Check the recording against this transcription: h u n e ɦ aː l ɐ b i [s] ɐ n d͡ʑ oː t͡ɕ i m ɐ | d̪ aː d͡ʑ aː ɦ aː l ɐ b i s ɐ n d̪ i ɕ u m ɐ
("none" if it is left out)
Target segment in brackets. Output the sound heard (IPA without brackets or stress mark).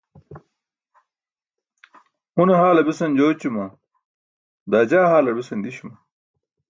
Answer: s